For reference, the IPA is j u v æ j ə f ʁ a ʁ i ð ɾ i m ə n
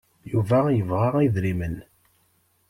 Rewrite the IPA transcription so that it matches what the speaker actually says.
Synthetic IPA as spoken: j u v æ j ə v ʁ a ʁ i ð ɾ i m ə n